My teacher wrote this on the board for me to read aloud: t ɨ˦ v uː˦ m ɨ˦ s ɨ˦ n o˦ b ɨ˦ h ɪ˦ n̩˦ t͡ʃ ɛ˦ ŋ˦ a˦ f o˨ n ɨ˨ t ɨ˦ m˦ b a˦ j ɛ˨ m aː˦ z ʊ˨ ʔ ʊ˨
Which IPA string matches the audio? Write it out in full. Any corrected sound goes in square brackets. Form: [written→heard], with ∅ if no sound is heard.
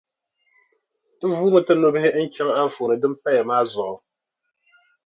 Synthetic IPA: t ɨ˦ v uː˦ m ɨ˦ [s→t] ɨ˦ n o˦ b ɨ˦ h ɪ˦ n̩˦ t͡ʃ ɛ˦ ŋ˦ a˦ f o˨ n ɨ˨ [t→d] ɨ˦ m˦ [b→p] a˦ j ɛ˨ m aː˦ z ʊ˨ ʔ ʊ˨